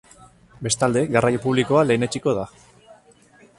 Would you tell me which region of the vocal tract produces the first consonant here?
lips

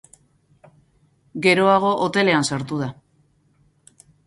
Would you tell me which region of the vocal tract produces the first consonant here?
velum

